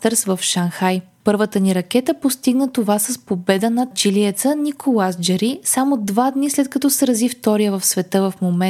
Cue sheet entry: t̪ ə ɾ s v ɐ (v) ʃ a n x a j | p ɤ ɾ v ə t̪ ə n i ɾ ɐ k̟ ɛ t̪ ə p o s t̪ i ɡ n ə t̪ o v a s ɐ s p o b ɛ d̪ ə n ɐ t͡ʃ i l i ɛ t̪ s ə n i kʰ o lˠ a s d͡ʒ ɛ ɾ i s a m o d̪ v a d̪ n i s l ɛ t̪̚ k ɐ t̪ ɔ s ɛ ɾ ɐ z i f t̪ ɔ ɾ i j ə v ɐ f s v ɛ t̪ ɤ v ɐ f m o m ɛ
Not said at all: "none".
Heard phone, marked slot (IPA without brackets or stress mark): f